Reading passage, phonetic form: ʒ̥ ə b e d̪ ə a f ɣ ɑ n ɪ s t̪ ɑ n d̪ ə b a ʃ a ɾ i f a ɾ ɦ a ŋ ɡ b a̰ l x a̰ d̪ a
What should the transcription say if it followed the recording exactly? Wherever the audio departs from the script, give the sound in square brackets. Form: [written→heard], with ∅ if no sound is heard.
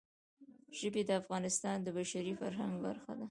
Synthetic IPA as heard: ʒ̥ ə b e d̪ ə a f ɣ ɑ n ɪ s t̪ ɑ n d̪ ə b a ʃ a ɾ i f a ɾ ɦ a ŋ ɡ b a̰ [l→ɾ] x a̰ d̪ a